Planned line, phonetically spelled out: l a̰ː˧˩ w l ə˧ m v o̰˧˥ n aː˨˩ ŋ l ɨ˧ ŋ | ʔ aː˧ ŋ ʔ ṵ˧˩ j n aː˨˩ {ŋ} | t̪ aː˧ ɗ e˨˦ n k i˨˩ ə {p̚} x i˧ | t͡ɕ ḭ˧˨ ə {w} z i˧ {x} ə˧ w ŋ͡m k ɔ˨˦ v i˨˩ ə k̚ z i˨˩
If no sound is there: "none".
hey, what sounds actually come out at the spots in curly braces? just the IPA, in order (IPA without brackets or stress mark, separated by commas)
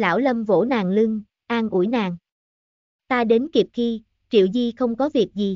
ŋ, p̚, w, x